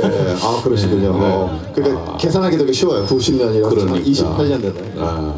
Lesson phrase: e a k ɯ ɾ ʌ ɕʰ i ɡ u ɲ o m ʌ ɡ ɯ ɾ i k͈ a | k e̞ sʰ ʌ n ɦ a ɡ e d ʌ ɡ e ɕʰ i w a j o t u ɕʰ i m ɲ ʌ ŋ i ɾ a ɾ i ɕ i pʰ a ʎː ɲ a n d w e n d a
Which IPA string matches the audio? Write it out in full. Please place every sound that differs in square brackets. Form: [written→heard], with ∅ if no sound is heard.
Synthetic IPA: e a k ɯ ɾ ʌ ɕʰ i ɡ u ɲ o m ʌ [ɡ→k] ɯ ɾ i k͈ a | k e̞ sʰ [ʌ→a] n ɦ a ɡ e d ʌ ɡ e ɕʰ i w [a→ʌ] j o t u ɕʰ i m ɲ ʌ [ŋ→ɲ] i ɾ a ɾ i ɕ i pʰ a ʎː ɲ [a→ʌ] n d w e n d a